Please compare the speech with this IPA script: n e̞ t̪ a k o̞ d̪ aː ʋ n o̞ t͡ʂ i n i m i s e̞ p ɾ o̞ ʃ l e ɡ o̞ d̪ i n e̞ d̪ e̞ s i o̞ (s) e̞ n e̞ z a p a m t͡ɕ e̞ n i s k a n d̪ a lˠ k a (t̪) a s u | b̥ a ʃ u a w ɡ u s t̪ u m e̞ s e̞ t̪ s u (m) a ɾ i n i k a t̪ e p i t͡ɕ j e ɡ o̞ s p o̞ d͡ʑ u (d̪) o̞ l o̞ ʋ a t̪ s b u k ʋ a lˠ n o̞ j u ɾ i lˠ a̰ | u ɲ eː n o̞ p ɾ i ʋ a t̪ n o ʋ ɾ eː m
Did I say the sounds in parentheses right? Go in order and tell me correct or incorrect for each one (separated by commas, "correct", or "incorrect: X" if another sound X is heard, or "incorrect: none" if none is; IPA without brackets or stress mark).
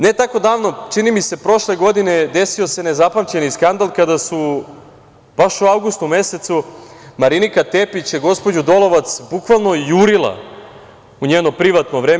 correct, incorrect: d̪, correct, correct